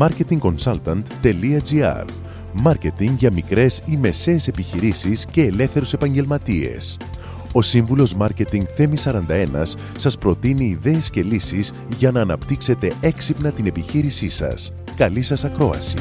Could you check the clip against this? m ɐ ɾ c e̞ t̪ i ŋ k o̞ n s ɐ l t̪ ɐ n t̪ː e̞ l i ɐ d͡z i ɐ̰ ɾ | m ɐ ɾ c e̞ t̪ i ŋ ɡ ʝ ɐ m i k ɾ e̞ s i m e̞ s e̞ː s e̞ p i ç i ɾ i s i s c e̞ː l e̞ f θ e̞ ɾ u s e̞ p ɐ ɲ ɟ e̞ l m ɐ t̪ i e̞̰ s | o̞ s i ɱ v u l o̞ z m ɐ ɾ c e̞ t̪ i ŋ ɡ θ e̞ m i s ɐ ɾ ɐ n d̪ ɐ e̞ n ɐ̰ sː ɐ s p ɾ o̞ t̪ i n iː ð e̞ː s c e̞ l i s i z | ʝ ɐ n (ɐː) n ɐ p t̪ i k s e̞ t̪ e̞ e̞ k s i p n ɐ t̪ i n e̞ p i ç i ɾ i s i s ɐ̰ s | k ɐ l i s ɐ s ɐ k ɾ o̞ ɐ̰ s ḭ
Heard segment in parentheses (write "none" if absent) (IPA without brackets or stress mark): ɐː